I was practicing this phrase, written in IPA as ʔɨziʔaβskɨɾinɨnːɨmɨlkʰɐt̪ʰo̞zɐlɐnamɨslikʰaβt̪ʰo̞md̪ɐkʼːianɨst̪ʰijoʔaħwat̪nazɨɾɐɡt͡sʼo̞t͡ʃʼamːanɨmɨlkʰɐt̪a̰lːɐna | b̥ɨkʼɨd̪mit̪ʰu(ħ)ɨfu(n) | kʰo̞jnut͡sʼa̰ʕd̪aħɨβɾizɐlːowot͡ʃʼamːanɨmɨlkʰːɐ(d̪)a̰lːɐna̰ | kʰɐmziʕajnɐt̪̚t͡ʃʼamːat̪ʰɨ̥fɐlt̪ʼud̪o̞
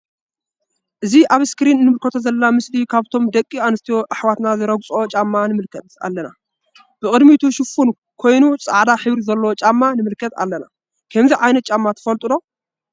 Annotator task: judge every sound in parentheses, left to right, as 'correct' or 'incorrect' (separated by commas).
incorrect, correct, incorrect